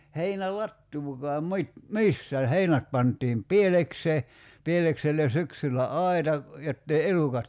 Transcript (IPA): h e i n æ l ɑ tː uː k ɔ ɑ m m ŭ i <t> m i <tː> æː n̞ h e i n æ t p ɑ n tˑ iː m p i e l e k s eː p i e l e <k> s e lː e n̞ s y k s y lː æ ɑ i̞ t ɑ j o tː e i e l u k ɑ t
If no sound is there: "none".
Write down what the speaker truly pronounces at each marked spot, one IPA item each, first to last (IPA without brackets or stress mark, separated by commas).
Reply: t, sː, k